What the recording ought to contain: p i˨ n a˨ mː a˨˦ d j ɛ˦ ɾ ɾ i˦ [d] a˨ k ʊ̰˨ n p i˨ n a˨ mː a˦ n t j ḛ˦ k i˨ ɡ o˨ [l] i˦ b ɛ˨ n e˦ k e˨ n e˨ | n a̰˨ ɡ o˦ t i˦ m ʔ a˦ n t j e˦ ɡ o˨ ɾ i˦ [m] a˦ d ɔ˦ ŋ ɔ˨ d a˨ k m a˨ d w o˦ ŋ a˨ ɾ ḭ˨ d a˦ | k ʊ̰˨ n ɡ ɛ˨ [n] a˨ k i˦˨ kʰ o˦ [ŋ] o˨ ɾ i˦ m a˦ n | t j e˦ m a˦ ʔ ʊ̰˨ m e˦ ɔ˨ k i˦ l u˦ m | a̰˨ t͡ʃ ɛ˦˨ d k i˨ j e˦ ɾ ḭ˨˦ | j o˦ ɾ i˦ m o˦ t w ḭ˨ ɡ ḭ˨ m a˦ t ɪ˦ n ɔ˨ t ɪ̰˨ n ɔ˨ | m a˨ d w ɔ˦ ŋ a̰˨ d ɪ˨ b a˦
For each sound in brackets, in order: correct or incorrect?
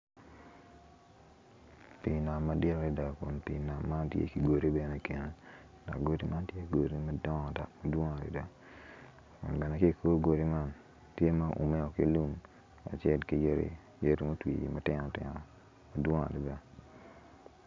correct, incorrect: ɾ, correct, correct, incorrect: ɡ

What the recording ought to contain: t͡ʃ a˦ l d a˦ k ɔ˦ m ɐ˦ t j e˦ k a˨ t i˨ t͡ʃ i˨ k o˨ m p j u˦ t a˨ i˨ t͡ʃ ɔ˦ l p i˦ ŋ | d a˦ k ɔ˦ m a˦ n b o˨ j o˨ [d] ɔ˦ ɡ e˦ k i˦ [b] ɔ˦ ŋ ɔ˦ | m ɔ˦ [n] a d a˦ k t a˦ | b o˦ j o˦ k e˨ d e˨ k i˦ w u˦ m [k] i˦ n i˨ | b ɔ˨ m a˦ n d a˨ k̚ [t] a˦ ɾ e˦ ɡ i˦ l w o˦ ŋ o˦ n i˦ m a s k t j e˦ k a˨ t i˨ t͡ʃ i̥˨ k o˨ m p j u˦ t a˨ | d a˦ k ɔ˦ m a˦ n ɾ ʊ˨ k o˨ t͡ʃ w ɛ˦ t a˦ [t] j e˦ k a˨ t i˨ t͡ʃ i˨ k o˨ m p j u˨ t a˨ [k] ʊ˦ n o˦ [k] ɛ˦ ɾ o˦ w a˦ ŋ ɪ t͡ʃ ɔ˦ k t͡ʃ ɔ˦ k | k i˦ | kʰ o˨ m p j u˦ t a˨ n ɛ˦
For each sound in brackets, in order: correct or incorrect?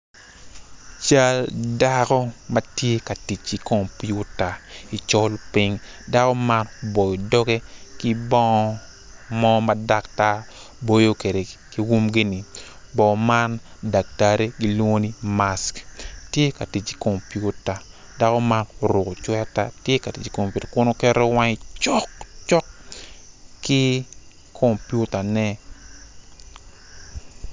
correct, correct, incorrect: m, incorrect: ɡ, correct, correct, correct, correct

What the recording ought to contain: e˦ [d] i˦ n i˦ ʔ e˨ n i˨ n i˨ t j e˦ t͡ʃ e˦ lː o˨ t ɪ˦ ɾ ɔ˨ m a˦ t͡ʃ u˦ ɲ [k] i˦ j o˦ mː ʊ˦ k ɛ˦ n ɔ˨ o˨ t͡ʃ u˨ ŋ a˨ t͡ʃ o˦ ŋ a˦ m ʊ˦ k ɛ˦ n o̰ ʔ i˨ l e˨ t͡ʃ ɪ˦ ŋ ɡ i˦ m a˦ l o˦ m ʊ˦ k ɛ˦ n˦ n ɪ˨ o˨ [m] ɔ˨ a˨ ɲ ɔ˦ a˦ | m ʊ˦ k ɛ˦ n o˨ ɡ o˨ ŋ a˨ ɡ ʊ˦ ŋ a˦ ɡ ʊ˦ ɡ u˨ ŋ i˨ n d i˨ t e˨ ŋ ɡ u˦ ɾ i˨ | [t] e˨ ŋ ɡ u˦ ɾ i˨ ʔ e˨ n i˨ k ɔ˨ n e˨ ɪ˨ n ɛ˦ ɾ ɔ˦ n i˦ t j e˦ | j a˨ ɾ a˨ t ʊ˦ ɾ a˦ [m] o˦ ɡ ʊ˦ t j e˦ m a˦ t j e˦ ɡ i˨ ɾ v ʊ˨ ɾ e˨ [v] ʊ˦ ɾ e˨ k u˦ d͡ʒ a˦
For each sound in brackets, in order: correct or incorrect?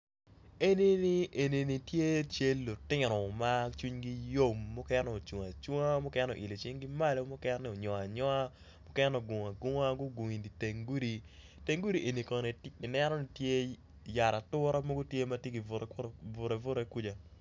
incorrect: n, incorrect: ɡ, incorrect: ɲ, correct, correct, correct

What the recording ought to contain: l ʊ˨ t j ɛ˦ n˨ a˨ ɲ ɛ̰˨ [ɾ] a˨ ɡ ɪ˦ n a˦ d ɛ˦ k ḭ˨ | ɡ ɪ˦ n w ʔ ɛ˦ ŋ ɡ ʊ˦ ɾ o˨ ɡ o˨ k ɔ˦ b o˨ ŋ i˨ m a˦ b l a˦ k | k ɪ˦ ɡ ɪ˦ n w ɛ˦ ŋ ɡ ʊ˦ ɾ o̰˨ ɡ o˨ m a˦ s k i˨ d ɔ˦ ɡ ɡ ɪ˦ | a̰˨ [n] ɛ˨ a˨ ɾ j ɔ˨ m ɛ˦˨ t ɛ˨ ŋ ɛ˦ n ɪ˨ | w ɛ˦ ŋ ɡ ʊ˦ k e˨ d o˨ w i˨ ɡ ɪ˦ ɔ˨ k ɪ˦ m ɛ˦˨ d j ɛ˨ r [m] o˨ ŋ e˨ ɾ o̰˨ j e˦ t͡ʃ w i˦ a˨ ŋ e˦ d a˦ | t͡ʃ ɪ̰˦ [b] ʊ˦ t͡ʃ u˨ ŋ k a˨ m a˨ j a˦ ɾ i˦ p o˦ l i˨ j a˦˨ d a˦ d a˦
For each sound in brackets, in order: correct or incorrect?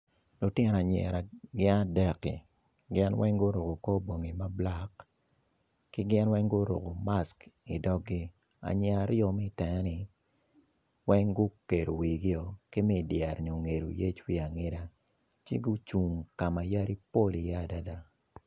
correct, incorrect: ɲ, incorrect: ɲ, incorrect: ɡ

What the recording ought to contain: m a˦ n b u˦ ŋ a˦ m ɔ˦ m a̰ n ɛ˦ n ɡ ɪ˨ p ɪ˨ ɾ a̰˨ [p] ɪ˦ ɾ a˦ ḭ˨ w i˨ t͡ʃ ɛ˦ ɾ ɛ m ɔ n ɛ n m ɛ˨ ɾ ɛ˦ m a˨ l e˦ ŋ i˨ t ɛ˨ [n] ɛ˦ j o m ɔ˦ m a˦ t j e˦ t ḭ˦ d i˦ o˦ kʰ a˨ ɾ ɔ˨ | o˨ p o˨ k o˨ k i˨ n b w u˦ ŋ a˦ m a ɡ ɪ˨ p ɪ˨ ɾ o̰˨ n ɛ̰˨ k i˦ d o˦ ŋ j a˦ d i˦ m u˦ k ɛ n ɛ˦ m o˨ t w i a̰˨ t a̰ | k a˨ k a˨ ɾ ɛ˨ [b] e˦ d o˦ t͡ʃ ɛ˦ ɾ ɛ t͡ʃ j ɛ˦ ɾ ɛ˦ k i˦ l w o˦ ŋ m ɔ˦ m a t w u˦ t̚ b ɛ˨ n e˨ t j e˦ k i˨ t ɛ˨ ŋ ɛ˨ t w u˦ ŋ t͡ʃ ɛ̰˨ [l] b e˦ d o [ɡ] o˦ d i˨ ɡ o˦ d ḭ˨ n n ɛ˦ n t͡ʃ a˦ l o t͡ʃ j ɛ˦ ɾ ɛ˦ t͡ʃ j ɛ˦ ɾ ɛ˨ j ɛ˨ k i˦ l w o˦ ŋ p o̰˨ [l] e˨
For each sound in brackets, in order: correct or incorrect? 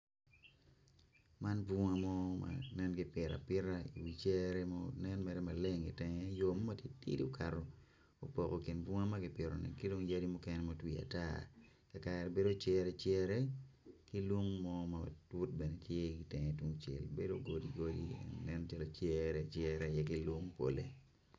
correct, incorrect: ŋ, correct, correct, correct, correct

